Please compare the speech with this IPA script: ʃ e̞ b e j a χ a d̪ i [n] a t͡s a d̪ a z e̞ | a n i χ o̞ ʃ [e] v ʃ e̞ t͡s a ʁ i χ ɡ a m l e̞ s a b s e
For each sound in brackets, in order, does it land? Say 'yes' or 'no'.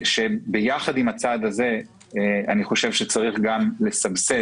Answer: no, yes

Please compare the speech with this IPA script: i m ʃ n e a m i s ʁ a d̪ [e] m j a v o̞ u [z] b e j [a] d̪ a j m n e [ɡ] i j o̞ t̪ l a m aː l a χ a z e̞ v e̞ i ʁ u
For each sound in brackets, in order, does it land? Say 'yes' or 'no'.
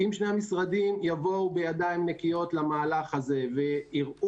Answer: no, no, yes, no

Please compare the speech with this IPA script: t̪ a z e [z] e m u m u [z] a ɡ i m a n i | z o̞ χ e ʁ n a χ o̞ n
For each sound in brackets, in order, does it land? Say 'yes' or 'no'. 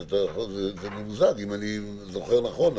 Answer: yes, yes

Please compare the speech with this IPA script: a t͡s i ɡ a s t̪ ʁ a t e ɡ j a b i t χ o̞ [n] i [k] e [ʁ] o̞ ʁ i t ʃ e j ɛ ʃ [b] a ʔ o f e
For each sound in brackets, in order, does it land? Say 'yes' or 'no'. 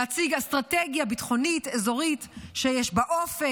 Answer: yes, no, no, yes

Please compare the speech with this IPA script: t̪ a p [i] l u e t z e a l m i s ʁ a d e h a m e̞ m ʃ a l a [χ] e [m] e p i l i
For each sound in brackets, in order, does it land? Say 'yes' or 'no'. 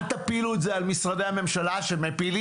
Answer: yes, no, yes

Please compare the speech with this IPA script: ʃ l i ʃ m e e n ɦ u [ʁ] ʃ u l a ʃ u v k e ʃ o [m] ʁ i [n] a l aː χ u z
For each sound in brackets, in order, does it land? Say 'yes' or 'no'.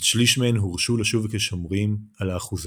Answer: yes, yes, no

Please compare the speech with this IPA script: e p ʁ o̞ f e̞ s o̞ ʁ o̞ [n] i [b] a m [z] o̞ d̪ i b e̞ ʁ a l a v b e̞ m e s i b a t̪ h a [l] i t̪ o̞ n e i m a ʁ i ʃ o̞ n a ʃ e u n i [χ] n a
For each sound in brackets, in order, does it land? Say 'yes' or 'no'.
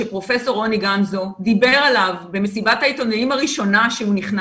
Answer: yes, no, yes, no, yes

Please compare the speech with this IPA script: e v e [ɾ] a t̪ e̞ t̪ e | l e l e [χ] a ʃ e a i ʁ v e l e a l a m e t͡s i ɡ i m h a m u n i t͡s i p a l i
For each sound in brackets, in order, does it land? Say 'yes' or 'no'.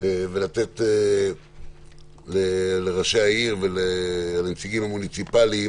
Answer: no, no

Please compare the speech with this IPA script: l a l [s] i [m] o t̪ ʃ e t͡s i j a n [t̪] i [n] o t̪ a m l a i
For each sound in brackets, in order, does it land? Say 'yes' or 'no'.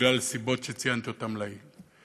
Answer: yes, no, yes, no

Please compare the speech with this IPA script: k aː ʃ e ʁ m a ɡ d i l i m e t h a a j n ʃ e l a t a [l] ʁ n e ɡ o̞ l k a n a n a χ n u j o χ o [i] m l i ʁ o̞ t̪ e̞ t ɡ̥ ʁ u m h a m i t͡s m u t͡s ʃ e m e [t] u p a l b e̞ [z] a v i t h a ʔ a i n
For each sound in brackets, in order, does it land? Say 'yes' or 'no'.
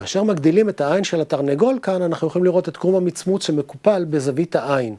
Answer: no, yes, no, yes

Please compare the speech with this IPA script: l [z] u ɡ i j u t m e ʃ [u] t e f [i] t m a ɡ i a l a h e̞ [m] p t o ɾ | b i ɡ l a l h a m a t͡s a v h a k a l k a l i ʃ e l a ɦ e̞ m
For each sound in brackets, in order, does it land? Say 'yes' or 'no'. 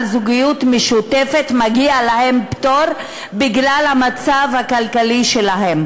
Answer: yes, yes, no, yes

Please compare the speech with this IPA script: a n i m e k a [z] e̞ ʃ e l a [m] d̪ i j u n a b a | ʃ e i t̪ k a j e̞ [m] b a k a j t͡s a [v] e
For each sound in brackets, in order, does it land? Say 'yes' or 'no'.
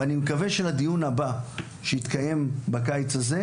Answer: no, no, yes, no

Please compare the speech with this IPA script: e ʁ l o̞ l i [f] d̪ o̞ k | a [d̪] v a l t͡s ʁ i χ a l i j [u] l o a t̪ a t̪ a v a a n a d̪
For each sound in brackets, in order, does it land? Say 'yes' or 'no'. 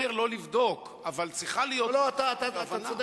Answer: no, no, no

